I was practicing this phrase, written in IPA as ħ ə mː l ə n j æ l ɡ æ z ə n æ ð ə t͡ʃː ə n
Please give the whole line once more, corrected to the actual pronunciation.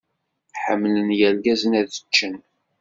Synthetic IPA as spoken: ħ ə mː l ə n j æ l ɡ æ z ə n æ ð ə t͡ʃː ə n

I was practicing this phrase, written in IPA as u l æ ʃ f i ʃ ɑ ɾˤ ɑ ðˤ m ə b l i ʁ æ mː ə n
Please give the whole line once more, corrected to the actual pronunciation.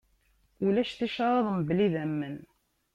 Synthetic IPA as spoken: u l æ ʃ θ i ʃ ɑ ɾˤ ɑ ðˤ m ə b l i ð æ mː ə n

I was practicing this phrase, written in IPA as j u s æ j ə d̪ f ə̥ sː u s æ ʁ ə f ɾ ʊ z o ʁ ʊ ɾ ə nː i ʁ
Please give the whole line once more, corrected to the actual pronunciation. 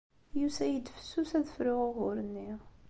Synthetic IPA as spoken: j u s æ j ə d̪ f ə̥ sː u s æ ð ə f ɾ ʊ ʁ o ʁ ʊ ɾ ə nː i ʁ

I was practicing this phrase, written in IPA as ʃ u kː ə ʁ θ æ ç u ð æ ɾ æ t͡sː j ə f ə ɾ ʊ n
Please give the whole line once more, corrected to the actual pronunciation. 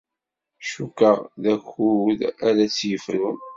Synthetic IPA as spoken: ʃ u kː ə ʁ ð æ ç u ð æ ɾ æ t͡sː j ə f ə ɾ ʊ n

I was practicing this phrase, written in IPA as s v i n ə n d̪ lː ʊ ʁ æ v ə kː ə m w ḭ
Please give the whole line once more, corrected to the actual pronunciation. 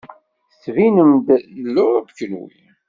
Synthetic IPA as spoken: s v i n ə m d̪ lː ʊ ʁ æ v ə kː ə n w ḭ

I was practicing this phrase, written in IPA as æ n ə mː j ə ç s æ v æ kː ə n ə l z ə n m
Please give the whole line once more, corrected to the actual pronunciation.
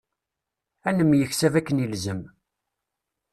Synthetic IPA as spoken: æ n ə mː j ə ç s æ v æ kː ə n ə l z ə m

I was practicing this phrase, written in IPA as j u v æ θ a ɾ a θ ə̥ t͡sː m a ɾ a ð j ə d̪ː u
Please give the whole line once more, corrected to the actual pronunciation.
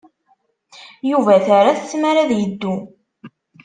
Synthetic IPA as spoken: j u v æ θ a ɾ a θ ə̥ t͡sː m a ɾ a ð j ə d̪ː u

